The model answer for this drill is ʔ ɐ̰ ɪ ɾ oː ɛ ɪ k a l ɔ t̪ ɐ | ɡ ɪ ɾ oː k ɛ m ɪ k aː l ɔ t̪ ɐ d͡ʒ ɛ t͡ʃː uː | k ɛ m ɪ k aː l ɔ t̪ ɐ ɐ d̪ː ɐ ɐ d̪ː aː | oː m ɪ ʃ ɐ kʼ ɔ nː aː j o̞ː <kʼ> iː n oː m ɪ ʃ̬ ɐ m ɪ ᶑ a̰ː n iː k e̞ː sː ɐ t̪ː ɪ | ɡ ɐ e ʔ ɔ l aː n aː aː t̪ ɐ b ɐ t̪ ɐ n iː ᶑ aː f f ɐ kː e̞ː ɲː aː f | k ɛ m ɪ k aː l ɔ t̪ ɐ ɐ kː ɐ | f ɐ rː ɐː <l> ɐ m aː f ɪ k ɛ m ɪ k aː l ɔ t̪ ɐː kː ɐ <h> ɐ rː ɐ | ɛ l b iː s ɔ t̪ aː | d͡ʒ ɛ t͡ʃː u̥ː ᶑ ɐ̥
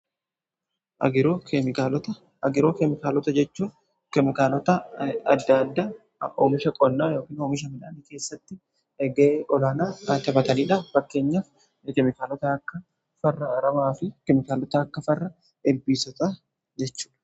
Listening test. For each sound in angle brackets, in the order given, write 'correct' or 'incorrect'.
incorrect: k, incorrect: ɾ, incorrect: f

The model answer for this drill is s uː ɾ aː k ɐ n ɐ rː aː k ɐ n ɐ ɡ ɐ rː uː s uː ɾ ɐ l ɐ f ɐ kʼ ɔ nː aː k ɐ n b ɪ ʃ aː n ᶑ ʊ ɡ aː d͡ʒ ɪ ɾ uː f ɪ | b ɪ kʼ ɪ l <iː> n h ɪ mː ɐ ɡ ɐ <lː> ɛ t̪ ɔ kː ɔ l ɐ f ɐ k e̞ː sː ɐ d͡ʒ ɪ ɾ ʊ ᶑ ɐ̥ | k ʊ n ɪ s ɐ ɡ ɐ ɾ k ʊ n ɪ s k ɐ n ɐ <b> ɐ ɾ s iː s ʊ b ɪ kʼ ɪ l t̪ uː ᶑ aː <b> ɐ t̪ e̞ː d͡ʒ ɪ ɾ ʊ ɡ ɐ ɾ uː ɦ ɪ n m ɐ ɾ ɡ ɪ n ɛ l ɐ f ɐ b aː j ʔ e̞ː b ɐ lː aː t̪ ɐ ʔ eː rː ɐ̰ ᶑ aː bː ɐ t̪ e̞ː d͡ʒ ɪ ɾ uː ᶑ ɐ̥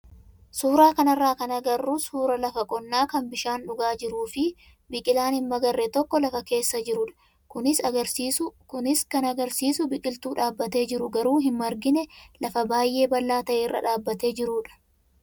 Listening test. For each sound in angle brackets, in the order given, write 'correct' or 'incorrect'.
incorrect: aː, incorrect: rː, incorrect: ɡ, incorrect: bː

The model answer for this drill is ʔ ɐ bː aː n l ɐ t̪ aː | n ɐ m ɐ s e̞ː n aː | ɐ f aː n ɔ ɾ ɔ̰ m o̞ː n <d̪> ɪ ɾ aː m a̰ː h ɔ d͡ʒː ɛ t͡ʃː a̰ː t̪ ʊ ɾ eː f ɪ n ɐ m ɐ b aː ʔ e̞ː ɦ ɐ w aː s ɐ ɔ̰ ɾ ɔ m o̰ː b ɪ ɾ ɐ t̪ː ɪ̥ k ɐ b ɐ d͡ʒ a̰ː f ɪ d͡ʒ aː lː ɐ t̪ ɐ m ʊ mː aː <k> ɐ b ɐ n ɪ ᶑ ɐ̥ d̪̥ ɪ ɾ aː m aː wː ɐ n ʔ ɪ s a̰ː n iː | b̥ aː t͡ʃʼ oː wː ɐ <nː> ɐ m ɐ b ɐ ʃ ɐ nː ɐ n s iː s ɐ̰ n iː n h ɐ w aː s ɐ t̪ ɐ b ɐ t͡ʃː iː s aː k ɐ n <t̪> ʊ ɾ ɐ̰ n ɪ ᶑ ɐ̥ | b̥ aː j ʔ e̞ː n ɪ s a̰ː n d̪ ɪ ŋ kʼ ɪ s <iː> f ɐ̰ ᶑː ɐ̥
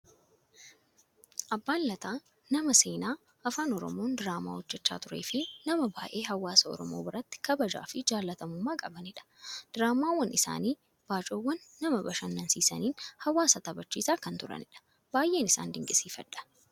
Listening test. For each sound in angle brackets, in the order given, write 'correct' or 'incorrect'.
correct, incorrect: kʼ, correct, correct, correct

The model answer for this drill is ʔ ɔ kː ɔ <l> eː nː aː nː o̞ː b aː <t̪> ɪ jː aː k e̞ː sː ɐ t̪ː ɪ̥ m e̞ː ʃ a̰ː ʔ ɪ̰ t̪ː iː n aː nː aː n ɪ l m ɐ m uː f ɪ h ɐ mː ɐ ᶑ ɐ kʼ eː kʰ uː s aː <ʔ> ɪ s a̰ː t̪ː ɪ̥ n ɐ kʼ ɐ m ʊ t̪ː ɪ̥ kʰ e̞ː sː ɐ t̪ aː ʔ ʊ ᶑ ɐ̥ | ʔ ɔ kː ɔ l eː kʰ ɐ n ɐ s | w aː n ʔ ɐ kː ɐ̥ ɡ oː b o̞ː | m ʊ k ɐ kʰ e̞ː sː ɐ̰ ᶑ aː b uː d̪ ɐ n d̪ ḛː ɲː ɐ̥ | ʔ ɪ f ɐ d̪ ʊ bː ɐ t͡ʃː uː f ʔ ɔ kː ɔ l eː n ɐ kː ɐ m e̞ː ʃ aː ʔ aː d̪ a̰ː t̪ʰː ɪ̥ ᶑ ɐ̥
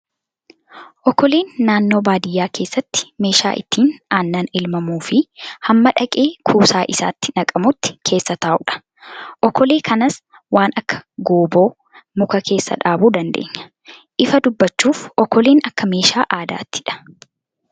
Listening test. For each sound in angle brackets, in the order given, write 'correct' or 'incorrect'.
correct, incorrect: d̪, correct

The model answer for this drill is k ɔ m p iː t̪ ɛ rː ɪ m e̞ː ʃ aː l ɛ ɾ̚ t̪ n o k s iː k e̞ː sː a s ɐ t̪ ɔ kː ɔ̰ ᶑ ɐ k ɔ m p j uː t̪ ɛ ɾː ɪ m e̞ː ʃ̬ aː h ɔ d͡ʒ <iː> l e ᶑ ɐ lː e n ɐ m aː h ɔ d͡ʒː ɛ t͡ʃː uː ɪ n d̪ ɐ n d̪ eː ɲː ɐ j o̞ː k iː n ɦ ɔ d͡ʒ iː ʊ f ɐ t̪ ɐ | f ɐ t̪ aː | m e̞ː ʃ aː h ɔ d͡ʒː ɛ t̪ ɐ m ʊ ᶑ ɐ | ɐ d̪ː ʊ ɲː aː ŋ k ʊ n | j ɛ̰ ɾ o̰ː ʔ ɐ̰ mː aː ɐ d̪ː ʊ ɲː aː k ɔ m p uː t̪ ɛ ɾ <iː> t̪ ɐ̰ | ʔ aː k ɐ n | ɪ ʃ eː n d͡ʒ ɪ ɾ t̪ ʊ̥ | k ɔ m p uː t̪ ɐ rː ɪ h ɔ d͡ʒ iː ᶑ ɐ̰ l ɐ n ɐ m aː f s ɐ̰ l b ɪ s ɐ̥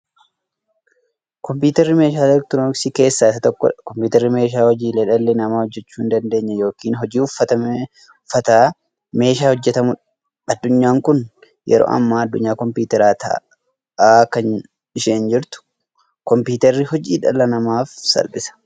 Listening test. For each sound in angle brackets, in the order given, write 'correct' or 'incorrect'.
correct, incorrect: aː

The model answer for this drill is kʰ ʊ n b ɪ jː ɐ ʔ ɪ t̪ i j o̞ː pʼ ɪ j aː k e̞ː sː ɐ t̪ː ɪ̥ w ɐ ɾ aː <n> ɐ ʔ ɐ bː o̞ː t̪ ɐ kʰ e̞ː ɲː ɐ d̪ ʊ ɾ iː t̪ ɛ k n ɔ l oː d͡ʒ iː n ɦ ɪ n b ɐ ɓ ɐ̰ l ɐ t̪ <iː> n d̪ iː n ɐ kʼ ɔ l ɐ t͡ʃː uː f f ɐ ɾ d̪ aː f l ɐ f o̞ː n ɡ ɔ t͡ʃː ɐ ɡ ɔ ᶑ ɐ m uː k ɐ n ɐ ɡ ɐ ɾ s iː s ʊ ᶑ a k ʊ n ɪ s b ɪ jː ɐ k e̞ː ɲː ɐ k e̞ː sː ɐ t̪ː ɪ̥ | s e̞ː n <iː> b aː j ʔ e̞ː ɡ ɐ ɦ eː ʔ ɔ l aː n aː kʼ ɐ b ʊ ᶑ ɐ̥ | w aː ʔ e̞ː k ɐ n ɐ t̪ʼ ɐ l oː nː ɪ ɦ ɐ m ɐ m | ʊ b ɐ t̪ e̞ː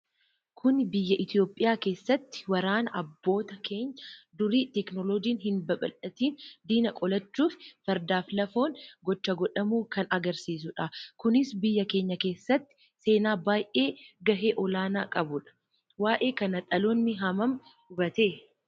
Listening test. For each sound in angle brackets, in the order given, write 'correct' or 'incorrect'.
correct, correct, incorrect: aː

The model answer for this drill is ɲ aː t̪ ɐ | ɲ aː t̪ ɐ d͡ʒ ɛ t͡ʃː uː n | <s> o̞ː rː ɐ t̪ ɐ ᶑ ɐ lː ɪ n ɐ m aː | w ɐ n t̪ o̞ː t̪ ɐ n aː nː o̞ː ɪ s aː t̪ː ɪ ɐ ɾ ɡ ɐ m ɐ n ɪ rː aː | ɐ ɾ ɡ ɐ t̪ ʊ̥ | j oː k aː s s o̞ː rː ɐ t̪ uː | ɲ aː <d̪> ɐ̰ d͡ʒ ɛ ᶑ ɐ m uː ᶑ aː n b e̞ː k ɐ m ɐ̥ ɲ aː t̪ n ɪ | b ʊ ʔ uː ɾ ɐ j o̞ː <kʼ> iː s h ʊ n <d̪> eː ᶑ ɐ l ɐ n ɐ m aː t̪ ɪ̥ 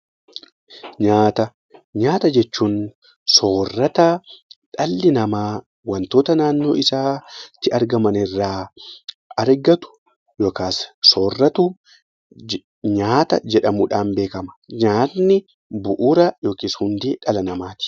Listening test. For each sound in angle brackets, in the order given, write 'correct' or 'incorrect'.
correct, incorrect: t̪, incorrect: k, correct

